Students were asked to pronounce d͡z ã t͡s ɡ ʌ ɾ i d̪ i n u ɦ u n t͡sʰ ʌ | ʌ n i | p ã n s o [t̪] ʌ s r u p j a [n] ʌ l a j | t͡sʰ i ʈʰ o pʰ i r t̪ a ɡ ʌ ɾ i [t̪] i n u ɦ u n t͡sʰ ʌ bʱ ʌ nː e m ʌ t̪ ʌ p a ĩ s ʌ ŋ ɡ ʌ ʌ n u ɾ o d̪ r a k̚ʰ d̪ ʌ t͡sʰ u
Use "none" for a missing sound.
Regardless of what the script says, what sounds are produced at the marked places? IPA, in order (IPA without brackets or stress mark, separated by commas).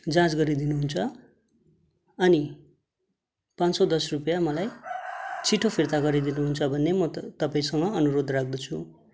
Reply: d̪, m, d̪